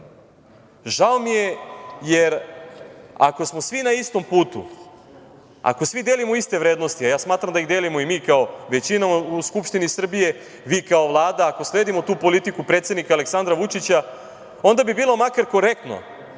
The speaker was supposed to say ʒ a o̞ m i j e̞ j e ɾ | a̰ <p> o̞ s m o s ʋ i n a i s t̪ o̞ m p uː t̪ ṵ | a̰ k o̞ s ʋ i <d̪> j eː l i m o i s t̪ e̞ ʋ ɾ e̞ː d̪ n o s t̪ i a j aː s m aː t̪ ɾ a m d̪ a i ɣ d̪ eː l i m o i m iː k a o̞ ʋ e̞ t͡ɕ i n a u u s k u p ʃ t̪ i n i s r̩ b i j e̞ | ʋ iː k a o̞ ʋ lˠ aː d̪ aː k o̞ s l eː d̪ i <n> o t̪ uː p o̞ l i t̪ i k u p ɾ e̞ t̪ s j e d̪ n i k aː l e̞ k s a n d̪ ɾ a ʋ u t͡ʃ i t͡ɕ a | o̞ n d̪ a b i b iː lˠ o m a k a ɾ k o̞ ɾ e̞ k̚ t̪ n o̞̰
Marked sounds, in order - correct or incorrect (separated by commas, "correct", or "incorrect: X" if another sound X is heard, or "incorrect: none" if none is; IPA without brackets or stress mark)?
incorrect: k, correct, incorrect: m